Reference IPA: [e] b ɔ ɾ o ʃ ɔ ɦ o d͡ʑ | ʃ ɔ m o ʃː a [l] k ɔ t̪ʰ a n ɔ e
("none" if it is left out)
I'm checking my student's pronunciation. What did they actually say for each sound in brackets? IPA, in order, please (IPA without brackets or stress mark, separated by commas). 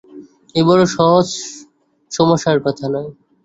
e, ɾ